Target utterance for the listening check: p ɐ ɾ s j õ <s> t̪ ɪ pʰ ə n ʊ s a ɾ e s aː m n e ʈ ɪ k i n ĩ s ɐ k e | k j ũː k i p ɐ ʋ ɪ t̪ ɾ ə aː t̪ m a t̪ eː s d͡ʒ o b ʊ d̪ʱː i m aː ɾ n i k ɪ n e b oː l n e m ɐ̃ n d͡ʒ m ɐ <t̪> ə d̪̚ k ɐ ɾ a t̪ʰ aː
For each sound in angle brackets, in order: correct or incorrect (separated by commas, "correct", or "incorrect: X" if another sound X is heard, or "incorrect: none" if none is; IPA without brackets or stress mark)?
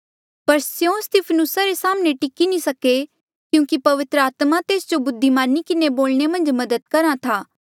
correct, incorrect: d̪